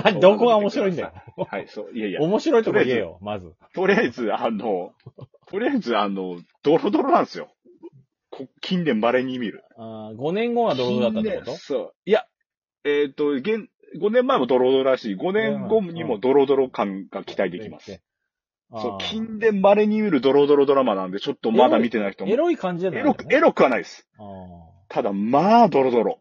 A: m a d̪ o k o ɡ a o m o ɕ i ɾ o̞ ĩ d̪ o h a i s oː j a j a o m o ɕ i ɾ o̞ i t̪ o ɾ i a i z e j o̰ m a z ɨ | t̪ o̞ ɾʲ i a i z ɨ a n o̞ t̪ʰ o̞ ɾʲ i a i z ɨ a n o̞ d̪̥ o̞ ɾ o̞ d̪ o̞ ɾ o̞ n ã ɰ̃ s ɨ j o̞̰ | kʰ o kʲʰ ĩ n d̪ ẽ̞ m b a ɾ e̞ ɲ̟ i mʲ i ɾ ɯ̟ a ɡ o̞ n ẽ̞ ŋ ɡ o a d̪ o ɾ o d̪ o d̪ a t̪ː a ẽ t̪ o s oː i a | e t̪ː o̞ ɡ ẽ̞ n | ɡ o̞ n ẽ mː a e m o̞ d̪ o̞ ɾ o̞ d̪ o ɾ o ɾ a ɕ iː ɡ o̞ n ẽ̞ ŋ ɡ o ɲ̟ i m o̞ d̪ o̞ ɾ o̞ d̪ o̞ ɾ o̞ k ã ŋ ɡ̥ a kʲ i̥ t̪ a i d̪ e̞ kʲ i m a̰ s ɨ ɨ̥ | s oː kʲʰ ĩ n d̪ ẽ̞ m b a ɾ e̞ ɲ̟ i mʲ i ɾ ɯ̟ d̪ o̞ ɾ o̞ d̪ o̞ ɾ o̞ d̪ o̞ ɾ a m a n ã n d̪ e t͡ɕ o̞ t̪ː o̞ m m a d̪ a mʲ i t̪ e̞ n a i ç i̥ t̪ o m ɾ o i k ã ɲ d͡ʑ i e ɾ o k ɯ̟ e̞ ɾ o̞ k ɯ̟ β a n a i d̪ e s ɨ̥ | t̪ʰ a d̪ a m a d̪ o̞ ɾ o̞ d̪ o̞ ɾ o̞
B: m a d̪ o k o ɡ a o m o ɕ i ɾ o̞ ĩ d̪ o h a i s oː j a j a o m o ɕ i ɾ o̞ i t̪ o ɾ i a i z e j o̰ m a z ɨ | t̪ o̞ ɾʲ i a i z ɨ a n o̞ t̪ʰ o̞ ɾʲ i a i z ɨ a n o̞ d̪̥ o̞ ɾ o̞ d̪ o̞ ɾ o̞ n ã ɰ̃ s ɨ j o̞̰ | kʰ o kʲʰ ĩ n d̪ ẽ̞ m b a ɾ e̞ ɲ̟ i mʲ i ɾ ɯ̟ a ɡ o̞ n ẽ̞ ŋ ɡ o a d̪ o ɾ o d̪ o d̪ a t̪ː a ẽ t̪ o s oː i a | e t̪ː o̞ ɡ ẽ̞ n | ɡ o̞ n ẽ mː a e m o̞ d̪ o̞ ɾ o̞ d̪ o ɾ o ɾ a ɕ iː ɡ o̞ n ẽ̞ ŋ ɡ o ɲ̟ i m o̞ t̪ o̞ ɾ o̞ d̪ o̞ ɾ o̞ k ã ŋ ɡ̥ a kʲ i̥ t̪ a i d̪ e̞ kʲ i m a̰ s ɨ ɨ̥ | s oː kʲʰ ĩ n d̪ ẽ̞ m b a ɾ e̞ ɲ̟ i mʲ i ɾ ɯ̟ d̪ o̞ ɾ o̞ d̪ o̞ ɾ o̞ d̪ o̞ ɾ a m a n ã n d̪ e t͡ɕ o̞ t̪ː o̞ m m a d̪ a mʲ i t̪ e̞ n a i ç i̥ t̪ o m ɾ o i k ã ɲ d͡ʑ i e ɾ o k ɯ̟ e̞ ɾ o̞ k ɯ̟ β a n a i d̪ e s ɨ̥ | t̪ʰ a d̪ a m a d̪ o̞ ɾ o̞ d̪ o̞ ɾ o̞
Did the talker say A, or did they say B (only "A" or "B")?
A